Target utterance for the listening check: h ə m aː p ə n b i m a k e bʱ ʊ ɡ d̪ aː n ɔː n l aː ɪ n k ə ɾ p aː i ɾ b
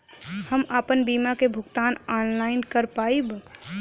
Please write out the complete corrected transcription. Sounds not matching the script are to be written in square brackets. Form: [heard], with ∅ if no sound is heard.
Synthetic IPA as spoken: h ə m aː p ə n b i m a k e bʱ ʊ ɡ [t̪] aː n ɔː n l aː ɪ n k ə ɾ p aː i [∅] b